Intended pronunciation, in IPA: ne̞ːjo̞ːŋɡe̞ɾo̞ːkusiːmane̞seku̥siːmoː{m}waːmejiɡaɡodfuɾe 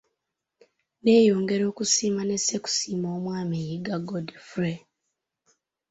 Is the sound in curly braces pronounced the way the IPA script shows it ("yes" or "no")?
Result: yes